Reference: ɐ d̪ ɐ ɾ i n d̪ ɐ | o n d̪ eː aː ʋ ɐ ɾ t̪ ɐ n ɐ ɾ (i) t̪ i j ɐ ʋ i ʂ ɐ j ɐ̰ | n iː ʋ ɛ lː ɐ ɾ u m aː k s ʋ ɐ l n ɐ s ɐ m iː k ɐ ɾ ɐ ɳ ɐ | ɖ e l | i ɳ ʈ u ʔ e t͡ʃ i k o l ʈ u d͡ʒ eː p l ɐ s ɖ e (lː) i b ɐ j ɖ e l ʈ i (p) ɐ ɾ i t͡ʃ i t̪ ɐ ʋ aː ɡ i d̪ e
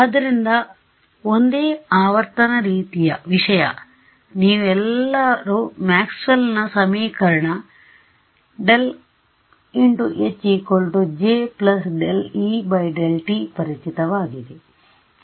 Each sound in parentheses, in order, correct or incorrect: incorrect, incorrect, correct

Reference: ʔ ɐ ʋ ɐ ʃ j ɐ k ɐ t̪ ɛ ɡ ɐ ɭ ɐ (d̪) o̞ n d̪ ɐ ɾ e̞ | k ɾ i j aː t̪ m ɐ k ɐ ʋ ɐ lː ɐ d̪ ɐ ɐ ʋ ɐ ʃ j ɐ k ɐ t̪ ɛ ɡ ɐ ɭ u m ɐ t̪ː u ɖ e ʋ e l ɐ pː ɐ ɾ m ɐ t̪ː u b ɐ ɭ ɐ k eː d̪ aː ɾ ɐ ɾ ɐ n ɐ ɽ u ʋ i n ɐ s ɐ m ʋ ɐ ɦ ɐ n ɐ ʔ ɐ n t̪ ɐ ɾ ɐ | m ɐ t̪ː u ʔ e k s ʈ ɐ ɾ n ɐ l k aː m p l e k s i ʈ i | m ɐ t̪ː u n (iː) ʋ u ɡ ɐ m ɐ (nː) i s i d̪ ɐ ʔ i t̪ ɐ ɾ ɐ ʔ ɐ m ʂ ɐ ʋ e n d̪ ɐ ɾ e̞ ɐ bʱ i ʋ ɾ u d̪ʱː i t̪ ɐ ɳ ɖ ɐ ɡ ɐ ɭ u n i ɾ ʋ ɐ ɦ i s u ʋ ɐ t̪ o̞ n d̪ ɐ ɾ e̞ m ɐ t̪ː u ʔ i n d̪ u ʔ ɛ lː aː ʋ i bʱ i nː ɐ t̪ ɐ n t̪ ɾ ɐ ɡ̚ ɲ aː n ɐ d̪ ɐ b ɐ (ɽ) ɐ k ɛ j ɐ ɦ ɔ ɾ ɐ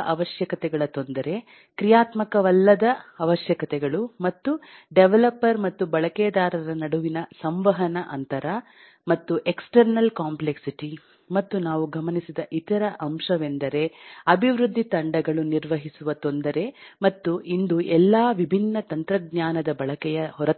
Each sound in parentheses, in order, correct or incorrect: incorrect, incorrect, incorrect, incorrect

